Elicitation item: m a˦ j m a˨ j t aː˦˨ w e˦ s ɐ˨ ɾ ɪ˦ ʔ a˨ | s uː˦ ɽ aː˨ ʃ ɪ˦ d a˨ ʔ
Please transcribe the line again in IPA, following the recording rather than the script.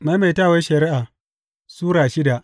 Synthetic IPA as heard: m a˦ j m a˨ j t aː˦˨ w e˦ ʃ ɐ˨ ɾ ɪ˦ ʔ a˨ | s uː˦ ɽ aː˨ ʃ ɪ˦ d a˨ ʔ